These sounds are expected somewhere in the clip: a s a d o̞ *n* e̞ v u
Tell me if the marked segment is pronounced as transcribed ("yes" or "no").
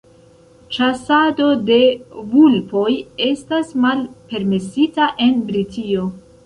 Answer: no